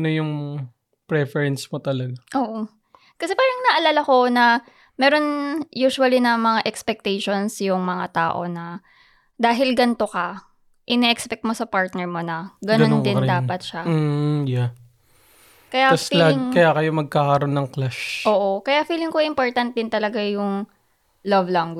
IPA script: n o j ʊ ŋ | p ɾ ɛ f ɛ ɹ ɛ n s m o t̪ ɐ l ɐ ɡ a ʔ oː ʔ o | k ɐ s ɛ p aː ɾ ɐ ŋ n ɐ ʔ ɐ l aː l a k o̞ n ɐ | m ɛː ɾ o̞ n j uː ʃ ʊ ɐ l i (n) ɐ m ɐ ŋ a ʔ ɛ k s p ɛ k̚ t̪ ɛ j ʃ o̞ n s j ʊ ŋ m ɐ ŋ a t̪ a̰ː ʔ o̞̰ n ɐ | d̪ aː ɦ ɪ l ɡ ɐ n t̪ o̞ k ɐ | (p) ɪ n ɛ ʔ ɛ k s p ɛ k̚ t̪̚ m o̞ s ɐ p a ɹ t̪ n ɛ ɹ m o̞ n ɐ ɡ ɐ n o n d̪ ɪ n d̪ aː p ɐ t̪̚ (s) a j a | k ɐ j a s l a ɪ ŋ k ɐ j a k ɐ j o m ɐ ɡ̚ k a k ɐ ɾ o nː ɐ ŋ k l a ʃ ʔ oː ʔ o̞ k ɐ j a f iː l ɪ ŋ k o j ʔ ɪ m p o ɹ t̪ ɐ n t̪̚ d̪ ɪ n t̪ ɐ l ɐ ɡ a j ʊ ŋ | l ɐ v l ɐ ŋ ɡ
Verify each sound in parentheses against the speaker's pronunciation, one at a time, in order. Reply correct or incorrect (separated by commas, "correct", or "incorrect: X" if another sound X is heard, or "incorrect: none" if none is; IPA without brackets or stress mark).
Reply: correct, incorrect: ʔ, incorrect: ʃ